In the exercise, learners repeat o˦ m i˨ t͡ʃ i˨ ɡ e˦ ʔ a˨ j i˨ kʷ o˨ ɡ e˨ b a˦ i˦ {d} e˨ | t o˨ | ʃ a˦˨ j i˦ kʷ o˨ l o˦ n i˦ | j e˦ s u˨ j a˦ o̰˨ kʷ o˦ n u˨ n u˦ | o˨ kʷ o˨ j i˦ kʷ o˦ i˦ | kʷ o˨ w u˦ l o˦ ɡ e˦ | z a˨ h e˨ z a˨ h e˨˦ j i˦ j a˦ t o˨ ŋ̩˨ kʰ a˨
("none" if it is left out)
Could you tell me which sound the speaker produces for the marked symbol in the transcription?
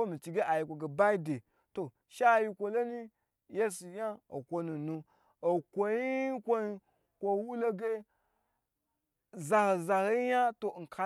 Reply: d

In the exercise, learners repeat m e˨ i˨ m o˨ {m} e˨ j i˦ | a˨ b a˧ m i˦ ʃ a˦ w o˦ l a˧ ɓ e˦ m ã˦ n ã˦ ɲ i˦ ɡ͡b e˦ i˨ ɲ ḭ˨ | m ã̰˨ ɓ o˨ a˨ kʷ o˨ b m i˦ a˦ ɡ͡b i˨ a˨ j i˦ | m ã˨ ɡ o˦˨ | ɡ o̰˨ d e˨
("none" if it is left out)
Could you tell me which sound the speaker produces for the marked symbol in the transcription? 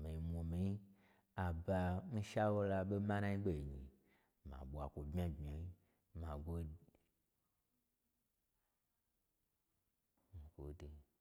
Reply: m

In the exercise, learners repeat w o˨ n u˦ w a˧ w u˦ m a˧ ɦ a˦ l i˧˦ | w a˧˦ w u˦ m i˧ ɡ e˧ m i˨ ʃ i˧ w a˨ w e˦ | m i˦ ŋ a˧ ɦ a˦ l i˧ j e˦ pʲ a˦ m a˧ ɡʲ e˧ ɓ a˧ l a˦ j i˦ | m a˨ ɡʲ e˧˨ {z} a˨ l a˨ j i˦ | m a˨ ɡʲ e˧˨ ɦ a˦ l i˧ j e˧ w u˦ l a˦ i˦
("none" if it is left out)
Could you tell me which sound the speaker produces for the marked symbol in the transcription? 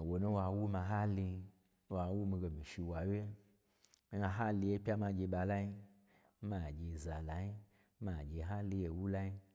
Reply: z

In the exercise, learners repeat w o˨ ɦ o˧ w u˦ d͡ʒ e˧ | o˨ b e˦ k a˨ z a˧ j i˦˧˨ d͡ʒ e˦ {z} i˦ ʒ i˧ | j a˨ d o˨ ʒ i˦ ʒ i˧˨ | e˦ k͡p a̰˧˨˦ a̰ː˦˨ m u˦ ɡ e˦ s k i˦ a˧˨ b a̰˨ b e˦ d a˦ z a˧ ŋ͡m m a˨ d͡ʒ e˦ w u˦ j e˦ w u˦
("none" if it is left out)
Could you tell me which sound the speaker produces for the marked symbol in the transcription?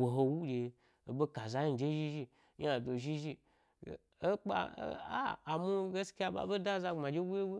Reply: ʒ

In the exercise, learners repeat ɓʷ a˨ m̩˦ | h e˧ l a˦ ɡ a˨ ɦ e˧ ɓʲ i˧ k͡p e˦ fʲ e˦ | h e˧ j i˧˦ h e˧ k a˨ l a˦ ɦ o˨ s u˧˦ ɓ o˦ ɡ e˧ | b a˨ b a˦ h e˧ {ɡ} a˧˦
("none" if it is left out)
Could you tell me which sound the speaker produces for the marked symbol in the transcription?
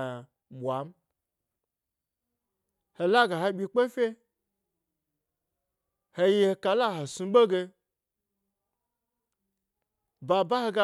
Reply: ɡ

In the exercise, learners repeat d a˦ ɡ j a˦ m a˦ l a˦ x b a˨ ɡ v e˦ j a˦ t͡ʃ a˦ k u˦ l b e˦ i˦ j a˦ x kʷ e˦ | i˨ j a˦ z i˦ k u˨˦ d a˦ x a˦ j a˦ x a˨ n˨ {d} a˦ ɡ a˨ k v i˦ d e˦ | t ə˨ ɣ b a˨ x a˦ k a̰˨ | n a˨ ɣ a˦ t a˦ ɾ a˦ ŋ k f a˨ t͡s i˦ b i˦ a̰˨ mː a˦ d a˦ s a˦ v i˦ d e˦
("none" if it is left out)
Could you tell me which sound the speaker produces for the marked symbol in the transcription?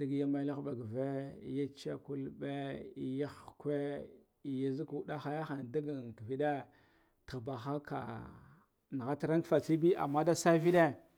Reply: d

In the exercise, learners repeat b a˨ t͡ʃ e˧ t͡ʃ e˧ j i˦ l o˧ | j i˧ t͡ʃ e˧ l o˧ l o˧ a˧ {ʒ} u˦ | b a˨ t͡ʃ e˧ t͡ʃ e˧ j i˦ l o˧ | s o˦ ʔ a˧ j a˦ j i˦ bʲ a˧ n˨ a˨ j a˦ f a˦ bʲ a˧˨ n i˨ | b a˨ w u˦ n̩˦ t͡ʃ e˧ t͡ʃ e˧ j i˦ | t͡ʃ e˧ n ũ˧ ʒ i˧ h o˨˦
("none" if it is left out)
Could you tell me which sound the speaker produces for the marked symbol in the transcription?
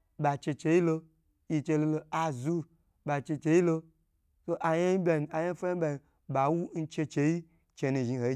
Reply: z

